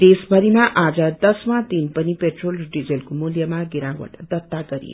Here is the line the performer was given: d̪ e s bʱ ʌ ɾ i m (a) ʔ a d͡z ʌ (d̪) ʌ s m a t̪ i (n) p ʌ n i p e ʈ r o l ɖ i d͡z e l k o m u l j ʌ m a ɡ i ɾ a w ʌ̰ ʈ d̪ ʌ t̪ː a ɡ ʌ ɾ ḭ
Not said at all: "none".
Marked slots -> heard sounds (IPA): a, d̪, n

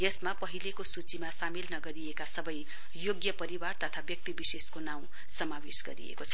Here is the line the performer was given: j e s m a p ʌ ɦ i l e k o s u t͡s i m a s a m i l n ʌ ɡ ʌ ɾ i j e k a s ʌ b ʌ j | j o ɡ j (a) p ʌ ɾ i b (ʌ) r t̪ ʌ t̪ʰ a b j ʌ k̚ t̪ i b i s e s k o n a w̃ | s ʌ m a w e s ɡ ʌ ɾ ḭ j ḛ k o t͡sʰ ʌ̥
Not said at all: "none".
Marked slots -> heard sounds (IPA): ʌ, a

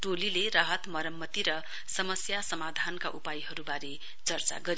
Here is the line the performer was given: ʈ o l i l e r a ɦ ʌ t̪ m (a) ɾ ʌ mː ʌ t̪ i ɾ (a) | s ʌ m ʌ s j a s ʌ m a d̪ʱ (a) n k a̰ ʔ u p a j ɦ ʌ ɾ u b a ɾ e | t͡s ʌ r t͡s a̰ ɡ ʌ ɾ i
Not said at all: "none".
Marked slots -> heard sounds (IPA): ʌ, ʌ, a

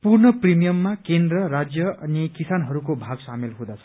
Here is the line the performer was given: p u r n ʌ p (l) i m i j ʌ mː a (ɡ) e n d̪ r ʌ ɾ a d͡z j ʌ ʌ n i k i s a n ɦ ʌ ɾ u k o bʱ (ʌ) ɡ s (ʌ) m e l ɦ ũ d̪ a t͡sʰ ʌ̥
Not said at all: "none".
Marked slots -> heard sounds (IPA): r, k, a, a

